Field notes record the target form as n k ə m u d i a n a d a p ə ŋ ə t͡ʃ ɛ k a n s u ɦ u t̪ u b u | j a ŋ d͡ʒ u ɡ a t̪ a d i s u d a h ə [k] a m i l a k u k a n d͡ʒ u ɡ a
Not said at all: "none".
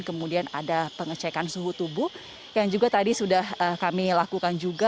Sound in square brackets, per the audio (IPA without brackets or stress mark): k